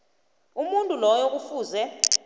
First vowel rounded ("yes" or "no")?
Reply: yes